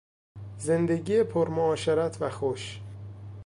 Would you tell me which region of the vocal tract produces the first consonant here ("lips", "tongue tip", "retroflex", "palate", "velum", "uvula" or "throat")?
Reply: tongue tip